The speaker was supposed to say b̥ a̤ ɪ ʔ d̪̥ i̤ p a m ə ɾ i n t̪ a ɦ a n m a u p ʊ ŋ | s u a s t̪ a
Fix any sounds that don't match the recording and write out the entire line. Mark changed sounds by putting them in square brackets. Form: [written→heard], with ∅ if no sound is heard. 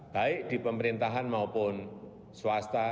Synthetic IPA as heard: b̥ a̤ ɪ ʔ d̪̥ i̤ p [a→ə] m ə ɾ i n t̪ a ɦ a n m a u p ʊ [ŋ→n] | s [u→w] a s t̪ a